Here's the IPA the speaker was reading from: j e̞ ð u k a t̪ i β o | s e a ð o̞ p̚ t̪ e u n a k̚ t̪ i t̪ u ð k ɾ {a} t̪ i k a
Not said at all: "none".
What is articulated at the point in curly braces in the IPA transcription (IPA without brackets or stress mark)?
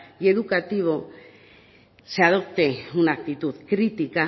i